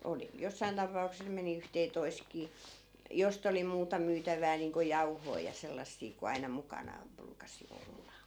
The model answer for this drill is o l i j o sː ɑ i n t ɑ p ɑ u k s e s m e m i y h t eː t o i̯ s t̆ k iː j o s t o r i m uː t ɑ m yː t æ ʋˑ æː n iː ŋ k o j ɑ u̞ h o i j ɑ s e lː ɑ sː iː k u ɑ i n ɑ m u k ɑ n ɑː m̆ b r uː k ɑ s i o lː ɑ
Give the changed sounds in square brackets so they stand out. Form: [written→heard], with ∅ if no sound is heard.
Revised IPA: o l i j o sː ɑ i n t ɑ p ɑ u k s e s m e [m→n] i y h t eː t o i̯ s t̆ k iː j o s t o [r→l] i m uː t ɑ m yː t æ ʋˑ æː n iː ŋ k o j ɑ u̞ h o i j ɑ s e lː ɑ sː iː k u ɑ i n ɑ m u k ɑ n ɑː m̆ b r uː k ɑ s i o lː ɑ